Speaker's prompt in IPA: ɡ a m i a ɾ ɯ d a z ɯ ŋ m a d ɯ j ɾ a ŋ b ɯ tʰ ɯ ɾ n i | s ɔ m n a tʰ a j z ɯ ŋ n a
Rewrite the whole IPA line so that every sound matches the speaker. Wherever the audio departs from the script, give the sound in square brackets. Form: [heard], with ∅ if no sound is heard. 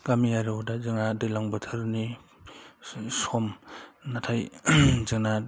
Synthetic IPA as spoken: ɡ a m i a ɾ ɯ d a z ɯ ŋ [n] a d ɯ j [l] a ŋ b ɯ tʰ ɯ ɾ n i | s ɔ m n a tʰ a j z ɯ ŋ n a